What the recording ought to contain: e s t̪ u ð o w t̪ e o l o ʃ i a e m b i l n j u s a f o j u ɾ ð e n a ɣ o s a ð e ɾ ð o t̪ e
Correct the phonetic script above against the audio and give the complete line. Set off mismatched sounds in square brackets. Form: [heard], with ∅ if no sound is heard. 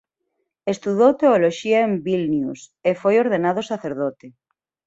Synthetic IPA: e s t̪ u ð o w t̪ e o l o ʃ i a e m b i l n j u s [e] f o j [o] ɾ ð e n a [ð] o s a [θ] e ɾ ð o t̪ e